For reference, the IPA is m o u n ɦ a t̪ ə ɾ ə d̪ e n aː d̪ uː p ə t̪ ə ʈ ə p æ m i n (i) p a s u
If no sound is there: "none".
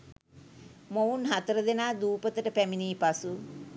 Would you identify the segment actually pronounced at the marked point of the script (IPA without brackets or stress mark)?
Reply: iː